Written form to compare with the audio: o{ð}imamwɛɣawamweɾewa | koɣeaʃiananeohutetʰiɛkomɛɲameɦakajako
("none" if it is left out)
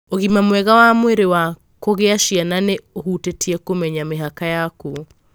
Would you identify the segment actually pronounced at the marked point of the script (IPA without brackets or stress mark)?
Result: ɣ